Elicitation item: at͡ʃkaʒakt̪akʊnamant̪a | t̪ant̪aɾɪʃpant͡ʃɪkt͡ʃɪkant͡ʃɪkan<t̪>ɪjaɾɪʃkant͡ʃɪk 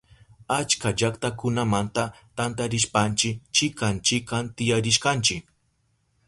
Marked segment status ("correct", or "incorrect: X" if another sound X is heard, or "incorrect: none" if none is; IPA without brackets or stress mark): correct